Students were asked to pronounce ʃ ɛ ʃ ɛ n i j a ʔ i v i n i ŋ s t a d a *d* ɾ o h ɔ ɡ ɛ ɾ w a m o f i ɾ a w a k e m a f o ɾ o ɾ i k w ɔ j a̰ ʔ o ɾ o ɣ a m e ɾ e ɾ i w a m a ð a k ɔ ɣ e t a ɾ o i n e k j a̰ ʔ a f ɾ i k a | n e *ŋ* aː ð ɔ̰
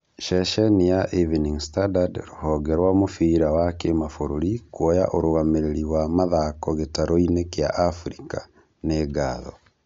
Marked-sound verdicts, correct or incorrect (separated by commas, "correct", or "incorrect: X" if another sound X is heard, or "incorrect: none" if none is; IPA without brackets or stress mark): correct, incorrect: ɡ